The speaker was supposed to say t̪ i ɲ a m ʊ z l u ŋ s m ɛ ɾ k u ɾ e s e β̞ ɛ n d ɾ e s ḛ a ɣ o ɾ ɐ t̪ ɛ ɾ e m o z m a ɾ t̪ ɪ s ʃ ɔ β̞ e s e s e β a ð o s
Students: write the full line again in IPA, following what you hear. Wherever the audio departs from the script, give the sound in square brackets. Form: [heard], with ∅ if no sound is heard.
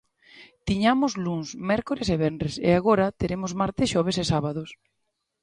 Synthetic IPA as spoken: t̪ i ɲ a m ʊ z l u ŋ s m ɛ ɾ k [o] ɾ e s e β̞ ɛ n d ɾ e s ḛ a ɣ o ɾ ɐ t̪ [e] ɾ e m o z m a ɾ t̪ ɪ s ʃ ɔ β̞ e s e s [a] β a ð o s